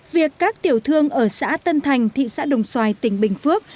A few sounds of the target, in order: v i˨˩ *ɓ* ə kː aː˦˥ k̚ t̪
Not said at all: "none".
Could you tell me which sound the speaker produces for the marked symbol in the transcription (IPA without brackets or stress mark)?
none